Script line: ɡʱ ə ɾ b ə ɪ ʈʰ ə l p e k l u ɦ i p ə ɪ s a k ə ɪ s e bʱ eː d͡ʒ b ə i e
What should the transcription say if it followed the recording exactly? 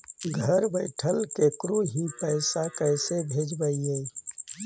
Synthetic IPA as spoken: ɡʱ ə ɾ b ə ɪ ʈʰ ə l k e k ɾ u ɦ i p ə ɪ s a k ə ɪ s e bʱ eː d͡ʒ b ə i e